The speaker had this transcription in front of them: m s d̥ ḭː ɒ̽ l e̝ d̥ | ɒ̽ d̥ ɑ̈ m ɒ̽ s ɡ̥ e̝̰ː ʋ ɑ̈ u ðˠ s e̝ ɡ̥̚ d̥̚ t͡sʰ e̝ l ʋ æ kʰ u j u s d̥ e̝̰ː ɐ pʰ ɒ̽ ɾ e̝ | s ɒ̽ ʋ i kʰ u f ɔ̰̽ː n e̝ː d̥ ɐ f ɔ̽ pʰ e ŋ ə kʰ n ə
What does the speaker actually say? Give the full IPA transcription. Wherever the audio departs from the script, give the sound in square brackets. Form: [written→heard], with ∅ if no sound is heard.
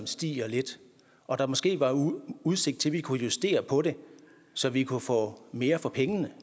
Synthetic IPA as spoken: m s d̥ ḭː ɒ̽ l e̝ d̥ | ɒ̽ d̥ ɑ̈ m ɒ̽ s ɡ̥ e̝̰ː ʋ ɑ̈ u ðˠ s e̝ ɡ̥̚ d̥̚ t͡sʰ e̝ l ʋ [æ→i] kʰ u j u s d̥ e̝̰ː ɐ pʰ ɒ̽ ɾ e̝ | s ɒ̽ ʋ i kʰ u f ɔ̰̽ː [n→m] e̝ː [d̥→∅] ɐ f [ɔ̽→ɒ̽] pʰ e ŋ ə [kʰ→∅] n ə